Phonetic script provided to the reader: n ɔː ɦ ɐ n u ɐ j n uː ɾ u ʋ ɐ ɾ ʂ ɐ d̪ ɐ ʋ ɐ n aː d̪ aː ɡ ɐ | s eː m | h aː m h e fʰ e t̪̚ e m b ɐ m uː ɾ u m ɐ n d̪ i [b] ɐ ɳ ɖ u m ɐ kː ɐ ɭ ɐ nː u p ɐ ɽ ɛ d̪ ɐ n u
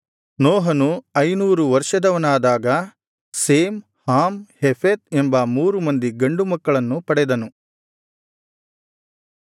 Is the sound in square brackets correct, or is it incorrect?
incorrect: ɡ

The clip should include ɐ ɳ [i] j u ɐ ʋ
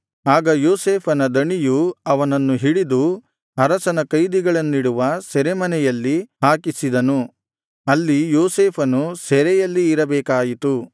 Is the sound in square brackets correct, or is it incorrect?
correct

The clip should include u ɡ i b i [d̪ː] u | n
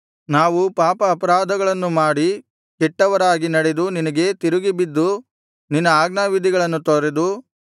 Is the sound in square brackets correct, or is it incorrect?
correct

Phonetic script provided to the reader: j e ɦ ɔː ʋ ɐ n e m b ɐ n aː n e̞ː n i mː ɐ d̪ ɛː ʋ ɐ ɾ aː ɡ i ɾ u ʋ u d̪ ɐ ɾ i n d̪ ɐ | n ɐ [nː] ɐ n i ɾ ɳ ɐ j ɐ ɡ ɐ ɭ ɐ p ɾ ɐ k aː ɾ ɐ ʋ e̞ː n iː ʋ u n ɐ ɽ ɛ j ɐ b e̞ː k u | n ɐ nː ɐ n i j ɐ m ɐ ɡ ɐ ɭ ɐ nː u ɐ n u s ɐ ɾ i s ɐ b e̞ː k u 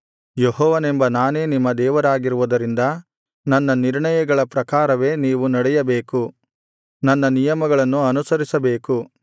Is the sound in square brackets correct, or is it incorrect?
correct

